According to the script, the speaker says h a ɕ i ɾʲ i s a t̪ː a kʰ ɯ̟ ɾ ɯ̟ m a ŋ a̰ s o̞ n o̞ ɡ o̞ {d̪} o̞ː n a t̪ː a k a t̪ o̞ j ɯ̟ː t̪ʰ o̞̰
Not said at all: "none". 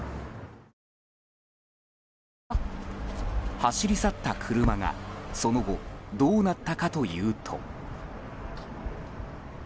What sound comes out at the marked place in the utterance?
d̪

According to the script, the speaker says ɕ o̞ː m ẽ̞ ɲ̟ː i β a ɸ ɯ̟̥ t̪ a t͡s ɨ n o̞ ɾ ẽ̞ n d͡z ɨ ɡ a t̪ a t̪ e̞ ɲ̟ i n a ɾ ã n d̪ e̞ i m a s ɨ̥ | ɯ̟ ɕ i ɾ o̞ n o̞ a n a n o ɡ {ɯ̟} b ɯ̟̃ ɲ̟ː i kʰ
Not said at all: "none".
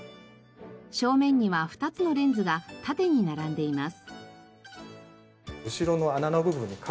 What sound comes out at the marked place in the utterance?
ɯ̟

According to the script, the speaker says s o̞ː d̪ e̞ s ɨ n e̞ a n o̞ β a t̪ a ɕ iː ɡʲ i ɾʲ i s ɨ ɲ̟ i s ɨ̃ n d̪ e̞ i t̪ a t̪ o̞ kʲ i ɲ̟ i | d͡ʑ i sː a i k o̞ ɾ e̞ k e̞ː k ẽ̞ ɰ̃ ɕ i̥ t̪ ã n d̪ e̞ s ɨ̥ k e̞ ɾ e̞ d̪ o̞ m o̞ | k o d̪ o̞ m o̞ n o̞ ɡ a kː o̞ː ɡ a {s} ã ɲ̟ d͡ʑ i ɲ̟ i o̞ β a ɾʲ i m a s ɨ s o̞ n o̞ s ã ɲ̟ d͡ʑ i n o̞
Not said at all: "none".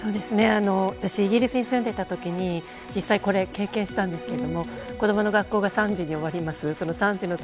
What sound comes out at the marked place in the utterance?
s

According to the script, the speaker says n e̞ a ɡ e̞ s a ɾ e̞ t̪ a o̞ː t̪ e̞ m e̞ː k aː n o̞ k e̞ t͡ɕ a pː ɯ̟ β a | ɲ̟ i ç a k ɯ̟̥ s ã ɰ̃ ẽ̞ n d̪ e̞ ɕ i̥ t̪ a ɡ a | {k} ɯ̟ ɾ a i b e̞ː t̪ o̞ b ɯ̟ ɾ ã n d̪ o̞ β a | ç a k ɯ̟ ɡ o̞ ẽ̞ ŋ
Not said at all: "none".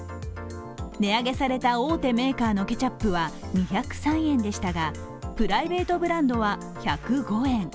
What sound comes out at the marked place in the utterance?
p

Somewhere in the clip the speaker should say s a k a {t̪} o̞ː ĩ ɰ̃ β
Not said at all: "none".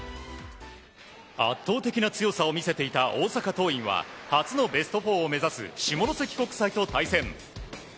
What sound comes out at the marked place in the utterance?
t̪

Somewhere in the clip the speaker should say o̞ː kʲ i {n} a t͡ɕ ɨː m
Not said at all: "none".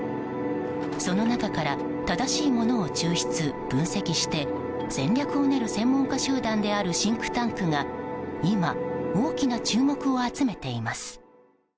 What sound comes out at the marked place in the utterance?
n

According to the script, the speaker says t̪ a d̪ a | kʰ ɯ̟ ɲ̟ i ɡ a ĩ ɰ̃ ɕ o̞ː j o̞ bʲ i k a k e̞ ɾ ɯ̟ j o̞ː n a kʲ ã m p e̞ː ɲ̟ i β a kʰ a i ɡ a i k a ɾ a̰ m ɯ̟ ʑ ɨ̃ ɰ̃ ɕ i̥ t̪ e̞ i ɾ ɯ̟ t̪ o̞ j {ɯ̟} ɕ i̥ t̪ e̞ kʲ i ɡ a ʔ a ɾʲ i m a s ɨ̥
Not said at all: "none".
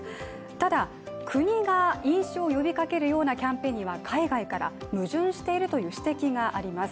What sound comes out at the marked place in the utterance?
ɯ̟ː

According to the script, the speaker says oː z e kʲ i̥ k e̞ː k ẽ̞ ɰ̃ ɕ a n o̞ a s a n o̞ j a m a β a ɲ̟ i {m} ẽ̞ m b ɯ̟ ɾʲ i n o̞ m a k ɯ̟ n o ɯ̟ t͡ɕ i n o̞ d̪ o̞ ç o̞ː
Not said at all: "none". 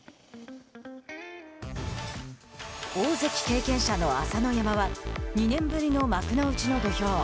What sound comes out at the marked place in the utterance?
n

